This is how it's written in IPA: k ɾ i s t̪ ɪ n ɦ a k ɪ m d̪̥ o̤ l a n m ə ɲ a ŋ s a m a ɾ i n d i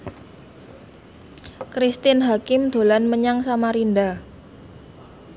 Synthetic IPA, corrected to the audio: k ɾ i s t̪ ɪ n ɦ a k ɪ m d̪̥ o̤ l a n m ə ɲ a ŋ s a m a ɾ i n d a